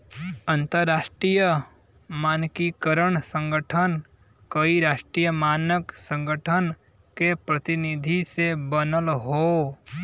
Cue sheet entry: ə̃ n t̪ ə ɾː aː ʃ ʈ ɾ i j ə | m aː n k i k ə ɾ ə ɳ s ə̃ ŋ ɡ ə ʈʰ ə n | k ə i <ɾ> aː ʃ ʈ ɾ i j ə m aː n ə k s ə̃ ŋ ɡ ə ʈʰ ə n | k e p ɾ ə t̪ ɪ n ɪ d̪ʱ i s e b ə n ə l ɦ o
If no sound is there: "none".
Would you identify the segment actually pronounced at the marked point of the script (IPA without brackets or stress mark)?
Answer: ɾ